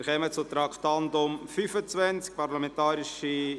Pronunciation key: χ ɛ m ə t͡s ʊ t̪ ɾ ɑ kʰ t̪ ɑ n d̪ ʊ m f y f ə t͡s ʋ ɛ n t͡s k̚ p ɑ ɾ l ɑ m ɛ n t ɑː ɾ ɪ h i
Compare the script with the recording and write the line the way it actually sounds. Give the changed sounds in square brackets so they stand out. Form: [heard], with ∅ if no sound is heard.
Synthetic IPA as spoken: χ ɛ m ə t͡s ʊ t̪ ɾ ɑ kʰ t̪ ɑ n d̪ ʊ m f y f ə t͡s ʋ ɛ n t͡s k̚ p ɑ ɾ l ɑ m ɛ n t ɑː ɾ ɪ [ʃ] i